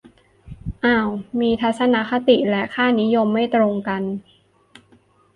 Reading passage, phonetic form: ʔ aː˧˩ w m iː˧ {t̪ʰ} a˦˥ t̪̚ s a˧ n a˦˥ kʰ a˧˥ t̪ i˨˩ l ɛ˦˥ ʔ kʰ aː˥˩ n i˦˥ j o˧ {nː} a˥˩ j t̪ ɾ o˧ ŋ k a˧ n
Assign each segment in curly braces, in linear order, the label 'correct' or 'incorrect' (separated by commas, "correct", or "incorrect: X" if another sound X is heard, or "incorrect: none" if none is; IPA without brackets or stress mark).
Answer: correct, incorrect: mː